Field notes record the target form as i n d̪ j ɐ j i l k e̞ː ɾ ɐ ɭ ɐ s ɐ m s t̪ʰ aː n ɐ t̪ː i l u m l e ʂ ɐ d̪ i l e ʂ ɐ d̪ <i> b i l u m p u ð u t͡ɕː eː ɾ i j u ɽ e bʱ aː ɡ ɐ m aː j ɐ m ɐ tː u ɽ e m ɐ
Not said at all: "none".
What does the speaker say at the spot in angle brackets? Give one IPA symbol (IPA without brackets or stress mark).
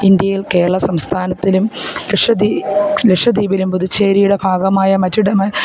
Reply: iː